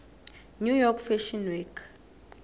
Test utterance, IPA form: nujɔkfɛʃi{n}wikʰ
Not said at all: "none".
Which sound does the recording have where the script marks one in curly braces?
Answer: n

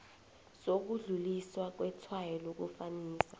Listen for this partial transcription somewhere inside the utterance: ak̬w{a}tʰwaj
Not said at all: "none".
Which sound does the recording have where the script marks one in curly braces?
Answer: ɛ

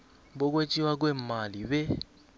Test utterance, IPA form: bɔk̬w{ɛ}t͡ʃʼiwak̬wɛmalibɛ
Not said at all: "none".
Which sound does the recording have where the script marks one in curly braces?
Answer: e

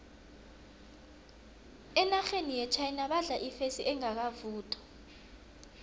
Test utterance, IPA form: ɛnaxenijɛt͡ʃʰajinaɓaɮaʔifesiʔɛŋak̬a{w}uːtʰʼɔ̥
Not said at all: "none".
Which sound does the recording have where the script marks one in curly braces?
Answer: v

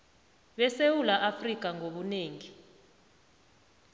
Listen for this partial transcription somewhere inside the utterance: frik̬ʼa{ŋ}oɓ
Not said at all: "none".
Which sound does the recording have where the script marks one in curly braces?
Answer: ŋ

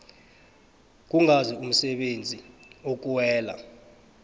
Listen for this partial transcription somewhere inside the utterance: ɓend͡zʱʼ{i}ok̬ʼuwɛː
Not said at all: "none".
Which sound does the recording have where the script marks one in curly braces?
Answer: i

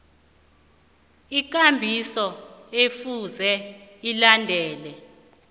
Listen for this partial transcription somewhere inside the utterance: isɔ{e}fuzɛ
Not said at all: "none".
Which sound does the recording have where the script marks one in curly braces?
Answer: e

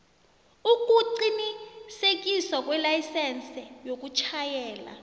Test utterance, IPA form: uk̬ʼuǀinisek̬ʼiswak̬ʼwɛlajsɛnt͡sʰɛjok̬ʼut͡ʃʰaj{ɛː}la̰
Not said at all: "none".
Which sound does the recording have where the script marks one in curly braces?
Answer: ɛː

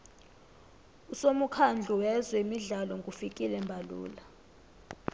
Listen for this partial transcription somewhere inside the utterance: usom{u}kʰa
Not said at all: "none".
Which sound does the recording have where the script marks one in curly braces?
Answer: u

